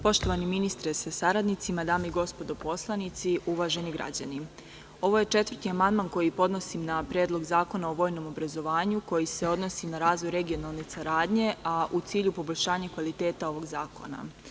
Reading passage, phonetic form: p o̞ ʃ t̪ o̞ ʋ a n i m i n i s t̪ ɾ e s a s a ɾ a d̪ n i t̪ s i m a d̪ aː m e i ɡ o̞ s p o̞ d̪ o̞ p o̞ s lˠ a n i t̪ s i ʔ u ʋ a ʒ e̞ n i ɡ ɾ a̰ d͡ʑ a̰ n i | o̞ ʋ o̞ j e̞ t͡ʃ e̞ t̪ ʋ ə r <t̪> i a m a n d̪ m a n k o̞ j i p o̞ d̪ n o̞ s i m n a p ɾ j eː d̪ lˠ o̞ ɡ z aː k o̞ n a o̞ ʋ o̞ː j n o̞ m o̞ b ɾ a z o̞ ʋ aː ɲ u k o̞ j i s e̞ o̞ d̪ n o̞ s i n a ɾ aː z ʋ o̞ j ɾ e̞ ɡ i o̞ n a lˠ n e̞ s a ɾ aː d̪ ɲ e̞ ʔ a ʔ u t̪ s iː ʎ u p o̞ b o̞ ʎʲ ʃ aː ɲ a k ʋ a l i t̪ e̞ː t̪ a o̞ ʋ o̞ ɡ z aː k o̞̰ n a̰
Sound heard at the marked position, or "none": t̪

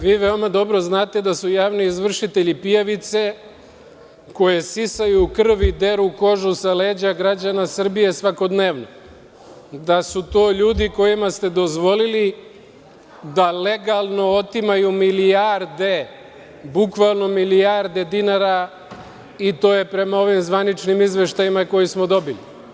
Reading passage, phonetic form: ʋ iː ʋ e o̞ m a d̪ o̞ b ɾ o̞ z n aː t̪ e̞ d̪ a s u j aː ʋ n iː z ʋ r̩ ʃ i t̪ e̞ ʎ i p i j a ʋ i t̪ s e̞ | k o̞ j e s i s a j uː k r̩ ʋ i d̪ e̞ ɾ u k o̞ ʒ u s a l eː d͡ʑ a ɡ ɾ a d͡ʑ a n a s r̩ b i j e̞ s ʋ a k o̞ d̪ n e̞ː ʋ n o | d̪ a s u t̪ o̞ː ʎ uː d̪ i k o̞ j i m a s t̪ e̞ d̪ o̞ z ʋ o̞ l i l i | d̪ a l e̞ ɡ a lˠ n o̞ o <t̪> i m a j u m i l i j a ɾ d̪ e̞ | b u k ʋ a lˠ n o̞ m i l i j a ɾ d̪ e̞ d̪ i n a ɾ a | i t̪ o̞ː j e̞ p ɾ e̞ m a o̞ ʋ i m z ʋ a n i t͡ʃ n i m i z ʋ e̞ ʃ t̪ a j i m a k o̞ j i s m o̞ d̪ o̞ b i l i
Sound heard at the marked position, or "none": t̪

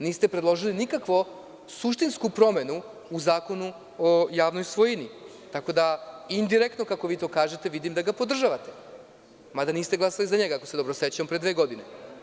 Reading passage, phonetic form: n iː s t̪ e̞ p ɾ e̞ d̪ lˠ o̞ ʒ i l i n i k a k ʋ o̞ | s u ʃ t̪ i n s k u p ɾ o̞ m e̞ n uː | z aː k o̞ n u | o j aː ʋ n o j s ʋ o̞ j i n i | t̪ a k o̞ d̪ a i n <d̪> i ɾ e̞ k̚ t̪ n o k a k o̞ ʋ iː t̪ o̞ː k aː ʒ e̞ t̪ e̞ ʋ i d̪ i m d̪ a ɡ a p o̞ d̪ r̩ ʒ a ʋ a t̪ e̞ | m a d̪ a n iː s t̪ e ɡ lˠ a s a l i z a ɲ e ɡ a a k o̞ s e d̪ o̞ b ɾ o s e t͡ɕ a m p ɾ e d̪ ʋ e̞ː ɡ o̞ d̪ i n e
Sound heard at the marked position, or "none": d̪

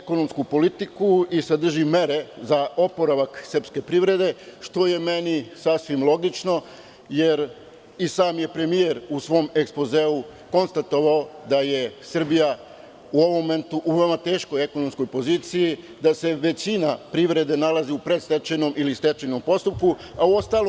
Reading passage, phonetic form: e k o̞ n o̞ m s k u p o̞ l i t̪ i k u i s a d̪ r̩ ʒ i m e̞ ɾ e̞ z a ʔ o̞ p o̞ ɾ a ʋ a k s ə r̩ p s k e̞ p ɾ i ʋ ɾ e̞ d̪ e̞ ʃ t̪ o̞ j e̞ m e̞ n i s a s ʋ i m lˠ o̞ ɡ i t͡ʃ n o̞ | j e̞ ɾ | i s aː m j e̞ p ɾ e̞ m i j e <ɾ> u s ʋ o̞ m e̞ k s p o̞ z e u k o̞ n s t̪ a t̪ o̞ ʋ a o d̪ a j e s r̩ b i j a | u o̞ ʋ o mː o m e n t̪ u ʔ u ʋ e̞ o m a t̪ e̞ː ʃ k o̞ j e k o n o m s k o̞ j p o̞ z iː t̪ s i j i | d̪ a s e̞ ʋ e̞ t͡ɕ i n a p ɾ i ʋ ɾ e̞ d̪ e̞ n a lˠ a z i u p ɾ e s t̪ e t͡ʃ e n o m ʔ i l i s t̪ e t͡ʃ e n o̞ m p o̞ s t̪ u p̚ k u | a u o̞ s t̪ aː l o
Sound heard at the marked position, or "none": ɾ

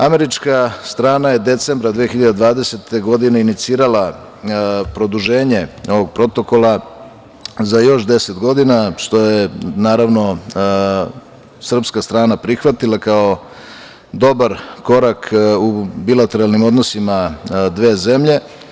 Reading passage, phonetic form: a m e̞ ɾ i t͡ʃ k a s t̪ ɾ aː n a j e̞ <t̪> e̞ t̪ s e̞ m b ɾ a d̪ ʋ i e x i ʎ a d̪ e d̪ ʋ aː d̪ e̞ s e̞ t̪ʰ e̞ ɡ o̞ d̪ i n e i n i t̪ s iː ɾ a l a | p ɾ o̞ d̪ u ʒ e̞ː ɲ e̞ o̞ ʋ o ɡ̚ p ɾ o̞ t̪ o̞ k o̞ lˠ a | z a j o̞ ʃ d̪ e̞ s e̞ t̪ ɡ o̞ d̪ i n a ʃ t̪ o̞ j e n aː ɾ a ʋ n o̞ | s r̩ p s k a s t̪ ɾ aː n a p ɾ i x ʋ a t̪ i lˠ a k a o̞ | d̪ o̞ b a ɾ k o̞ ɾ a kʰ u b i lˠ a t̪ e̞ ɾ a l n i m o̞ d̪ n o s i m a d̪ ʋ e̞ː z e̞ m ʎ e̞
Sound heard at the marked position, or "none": d̪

